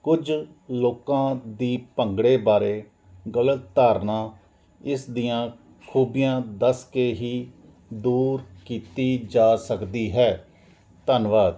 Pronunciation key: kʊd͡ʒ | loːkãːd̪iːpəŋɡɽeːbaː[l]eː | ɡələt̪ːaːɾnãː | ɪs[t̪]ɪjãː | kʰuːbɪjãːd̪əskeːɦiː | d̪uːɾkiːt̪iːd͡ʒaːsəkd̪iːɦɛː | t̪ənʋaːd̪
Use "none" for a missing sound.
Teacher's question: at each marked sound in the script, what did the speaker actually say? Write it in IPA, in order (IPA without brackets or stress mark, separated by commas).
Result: ɾ, d̪